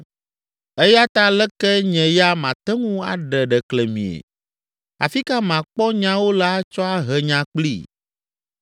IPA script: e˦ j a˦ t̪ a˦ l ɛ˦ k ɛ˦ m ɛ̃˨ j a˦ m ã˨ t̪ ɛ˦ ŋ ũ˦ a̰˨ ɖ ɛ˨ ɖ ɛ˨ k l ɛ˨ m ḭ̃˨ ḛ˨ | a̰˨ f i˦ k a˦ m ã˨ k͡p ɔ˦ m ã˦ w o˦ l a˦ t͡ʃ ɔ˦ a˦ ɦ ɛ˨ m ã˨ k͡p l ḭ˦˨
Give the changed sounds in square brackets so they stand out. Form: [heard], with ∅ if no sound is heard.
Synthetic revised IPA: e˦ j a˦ t̪ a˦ l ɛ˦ k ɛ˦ [ɲ] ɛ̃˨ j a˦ m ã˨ t̪ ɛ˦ ŋ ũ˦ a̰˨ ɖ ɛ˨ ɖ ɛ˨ k l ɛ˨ m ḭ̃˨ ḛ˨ | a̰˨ f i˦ k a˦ m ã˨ k͡p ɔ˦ [ɲ] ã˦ w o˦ l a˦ t͡ʃ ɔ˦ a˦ ɦ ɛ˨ [ɲ] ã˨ k͡p l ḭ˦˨